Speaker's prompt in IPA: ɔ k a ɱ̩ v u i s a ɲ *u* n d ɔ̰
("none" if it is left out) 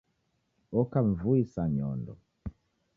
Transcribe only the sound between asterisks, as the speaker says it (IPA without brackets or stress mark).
ɔ